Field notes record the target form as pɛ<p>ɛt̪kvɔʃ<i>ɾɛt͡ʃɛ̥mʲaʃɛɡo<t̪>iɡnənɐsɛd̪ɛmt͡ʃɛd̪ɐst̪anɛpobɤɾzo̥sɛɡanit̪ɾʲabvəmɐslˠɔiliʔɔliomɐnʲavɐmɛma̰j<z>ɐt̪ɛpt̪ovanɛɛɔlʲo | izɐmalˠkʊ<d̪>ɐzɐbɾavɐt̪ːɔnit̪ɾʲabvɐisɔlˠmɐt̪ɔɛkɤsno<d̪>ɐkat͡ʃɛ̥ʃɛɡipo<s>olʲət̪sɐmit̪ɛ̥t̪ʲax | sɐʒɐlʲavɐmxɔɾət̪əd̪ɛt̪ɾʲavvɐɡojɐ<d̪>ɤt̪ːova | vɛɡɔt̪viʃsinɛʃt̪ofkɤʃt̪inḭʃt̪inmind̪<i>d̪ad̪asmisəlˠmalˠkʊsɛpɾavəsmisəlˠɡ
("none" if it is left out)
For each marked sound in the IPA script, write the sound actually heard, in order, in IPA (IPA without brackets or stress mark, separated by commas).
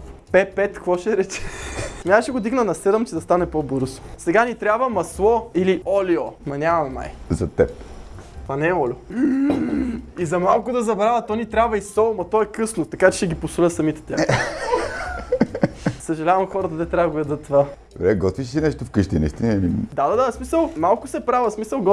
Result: p, ɛ, d̪, z, d̪, t̪, s, d̪, a